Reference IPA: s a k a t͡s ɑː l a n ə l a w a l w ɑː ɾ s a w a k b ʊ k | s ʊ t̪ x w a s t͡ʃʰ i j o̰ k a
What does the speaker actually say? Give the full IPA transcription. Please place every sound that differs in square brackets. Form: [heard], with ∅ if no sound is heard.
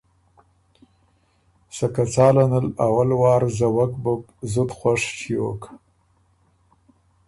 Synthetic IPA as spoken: s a k a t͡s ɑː l a n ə l a w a l w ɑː ɾ [z] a w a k b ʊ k | [z] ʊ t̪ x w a [ʂ] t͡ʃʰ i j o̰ k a